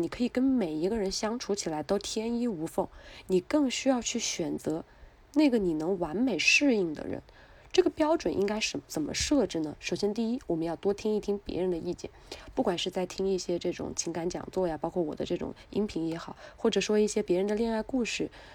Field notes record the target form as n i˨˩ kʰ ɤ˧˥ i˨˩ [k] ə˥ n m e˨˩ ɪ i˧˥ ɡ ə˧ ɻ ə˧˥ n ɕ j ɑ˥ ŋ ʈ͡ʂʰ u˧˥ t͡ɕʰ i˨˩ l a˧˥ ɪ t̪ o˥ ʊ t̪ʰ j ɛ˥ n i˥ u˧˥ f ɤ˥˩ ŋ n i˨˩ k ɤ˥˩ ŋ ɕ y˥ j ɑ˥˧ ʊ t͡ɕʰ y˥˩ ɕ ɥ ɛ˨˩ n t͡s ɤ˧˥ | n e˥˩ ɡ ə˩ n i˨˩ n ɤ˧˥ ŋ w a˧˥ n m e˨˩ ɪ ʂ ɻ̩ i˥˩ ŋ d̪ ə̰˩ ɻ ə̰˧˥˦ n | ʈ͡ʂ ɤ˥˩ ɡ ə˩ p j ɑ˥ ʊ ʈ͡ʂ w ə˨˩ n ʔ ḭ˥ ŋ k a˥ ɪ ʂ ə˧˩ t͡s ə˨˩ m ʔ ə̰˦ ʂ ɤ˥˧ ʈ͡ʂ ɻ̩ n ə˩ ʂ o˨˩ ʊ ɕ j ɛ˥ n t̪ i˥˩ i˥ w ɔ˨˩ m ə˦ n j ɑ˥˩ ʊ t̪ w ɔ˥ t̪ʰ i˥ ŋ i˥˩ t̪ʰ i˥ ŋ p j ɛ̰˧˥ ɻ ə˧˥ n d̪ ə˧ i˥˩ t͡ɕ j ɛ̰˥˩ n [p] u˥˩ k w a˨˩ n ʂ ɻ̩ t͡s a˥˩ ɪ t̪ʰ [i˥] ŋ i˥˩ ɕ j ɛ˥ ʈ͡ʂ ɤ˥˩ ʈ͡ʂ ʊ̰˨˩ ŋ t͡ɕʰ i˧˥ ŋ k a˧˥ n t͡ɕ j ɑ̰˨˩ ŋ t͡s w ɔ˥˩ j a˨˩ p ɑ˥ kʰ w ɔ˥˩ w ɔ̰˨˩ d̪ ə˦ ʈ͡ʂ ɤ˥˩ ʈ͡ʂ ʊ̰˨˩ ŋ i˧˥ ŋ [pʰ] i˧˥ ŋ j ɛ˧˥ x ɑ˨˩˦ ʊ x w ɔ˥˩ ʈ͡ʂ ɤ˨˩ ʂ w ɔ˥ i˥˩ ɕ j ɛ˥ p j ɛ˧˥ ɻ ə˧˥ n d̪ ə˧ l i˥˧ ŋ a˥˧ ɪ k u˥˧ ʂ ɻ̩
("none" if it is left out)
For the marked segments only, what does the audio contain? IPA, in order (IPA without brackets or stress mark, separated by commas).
k, p, i˥, pʰ